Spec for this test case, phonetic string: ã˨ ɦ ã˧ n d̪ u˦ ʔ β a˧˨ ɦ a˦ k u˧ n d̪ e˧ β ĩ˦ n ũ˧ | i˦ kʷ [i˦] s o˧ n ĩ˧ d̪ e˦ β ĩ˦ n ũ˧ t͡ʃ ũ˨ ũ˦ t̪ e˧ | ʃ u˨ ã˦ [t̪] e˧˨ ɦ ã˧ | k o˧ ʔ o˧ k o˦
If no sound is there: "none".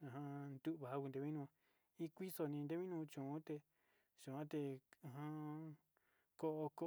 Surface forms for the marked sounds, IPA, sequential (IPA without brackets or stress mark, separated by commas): i˦, t̪